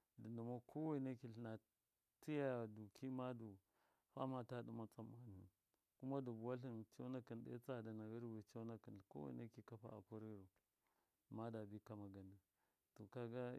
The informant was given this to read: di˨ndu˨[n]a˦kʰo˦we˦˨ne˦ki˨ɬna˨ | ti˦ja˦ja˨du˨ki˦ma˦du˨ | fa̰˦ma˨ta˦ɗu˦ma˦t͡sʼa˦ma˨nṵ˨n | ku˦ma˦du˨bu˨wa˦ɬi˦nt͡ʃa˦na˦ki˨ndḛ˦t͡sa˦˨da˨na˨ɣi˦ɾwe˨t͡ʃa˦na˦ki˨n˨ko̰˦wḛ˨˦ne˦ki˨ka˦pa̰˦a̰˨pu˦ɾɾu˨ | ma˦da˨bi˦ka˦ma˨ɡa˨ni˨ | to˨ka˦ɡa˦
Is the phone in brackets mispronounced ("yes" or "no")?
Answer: yes